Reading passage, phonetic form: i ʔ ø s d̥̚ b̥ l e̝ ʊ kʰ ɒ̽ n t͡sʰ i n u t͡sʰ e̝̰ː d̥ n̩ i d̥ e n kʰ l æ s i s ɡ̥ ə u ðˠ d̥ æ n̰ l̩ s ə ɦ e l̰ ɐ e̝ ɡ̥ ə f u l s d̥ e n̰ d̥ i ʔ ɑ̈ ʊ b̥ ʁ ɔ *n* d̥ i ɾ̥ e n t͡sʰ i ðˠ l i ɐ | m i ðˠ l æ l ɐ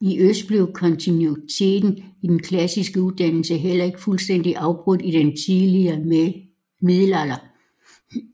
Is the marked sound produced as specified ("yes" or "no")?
no